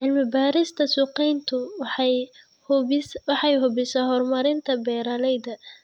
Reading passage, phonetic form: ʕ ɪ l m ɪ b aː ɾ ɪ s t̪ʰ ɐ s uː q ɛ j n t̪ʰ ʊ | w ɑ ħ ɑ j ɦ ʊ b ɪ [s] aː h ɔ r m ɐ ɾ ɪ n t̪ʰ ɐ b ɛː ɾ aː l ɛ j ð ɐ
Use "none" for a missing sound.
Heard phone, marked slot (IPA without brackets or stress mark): s